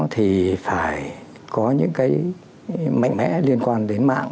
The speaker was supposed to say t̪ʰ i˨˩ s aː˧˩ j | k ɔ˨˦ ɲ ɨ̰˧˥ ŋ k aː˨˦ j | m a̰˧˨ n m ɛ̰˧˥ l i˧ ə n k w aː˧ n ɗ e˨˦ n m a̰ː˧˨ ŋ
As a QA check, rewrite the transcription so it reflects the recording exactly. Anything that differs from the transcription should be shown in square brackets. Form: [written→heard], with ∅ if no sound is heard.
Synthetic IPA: t̪ʰ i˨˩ [s→f] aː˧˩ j | k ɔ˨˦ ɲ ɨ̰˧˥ ŋ k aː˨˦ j | m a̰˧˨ [n→ŋ] m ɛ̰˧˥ l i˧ ə n k w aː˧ n ɗ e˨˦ n m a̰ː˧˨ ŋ